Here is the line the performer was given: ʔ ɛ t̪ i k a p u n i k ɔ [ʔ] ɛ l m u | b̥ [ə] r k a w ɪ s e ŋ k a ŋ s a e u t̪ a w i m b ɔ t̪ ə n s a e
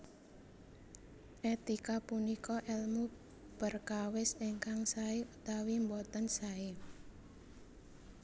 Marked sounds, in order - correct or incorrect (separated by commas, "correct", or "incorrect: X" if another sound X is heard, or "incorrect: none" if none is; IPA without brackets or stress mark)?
correct, correct